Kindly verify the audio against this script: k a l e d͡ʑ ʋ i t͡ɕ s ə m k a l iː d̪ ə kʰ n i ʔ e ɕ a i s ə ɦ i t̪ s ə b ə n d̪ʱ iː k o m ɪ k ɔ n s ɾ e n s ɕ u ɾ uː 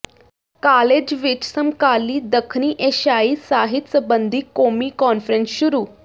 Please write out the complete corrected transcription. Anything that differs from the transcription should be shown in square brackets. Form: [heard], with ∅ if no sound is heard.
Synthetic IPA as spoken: k a l e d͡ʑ ʋ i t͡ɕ s ə m k a l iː d̪ ə kʰ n i ʔ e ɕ a i s [a] ɦ i t̪ s ə b ə n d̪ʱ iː k o m [i] k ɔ n [f] ɾ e n s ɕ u ɾ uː